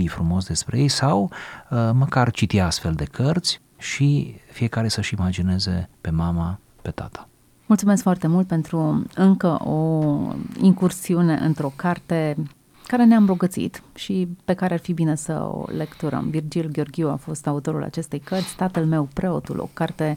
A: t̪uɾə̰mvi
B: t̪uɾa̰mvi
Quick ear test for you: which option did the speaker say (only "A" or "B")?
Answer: A